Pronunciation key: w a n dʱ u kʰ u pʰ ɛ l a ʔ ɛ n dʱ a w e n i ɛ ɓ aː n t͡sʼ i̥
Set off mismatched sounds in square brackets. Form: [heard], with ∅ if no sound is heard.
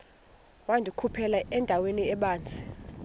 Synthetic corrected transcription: w a n dʱ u kʰ u pʰ ɛ l a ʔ ɛ n dʱ a w e n i ɛ ɓ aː n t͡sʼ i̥